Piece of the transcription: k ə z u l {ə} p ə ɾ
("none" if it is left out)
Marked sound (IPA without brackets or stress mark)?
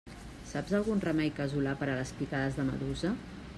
a